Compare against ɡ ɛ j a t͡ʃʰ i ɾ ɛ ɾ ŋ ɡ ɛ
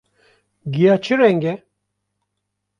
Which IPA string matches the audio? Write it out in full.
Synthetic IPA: ɡ i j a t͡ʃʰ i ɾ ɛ ŋ ɡ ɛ